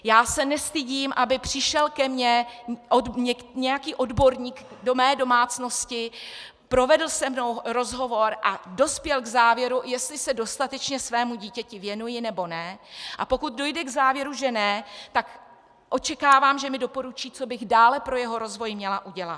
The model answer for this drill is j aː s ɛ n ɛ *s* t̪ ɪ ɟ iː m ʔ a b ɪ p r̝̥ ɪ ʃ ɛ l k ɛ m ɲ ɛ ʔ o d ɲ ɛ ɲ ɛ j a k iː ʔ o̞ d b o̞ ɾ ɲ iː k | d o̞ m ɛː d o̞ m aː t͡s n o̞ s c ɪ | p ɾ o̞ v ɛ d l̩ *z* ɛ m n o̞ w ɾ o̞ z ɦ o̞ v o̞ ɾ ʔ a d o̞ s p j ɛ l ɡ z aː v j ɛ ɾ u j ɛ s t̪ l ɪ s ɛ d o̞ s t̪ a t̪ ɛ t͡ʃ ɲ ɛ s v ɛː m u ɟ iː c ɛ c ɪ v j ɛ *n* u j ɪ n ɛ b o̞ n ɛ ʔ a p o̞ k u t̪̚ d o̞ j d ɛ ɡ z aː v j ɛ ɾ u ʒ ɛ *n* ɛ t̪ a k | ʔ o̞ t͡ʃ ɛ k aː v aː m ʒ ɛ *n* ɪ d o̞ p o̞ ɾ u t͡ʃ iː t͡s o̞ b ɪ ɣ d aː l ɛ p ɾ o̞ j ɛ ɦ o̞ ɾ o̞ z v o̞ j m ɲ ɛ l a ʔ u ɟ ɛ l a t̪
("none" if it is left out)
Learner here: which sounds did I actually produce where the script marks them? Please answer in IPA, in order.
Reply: s, s, n, n, m

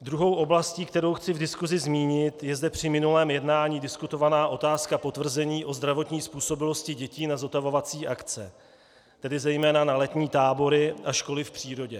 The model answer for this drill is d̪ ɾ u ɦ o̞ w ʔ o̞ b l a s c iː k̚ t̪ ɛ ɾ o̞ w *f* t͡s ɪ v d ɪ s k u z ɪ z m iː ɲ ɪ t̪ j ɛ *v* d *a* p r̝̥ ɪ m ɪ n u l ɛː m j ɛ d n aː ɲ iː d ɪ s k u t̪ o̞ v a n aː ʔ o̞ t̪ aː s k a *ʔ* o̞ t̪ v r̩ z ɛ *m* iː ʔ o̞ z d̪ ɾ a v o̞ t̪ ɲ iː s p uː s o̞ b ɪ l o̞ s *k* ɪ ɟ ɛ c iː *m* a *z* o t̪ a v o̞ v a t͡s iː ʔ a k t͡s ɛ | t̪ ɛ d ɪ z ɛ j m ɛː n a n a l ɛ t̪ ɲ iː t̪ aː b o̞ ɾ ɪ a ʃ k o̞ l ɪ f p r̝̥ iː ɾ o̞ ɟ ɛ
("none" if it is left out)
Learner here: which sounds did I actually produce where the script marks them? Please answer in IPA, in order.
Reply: x, z, ɛ, p, ɲ, c, n, z

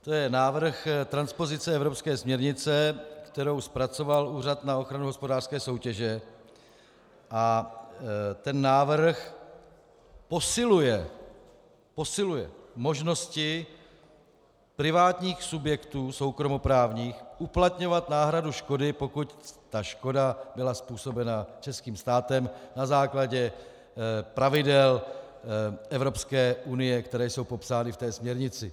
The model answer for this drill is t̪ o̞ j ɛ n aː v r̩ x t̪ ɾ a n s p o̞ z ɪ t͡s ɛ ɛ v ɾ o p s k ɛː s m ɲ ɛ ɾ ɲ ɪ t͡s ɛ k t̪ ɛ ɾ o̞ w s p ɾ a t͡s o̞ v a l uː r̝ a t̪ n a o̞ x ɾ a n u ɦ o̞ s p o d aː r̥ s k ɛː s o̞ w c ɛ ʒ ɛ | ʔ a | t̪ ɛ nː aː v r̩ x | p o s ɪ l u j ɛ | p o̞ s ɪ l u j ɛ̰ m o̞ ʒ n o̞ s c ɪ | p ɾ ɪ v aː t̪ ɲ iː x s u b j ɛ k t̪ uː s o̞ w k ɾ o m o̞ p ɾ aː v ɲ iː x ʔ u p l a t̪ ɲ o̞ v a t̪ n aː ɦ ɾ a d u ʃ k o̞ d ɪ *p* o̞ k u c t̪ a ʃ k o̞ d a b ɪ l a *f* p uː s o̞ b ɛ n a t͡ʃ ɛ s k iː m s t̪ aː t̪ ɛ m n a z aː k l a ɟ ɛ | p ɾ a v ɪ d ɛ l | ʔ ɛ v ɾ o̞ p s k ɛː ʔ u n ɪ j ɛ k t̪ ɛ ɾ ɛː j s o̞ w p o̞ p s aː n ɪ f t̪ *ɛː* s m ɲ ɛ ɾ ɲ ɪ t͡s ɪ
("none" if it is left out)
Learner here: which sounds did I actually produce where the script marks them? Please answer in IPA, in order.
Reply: p, s, ɛː

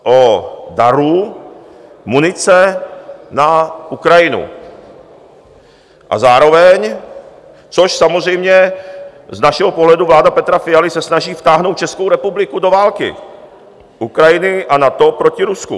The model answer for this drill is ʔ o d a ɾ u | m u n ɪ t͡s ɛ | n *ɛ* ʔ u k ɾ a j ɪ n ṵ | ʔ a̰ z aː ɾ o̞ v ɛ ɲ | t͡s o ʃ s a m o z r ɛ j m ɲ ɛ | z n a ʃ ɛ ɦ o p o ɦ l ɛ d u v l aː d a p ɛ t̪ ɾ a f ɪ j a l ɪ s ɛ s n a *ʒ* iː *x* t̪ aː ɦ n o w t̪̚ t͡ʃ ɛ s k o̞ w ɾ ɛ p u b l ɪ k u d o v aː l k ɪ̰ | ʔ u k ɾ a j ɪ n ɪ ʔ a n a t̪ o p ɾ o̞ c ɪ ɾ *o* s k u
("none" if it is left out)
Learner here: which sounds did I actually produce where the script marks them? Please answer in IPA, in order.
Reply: a, ʒ, f, u

